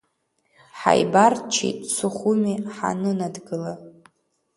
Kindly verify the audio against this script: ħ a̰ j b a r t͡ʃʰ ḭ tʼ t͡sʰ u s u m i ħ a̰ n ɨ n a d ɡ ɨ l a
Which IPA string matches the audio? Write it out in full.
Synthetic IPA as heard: ħ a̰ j b a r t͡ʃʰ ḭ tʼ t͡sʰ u χ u m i ħ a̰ n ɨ n a d ɡ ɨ l a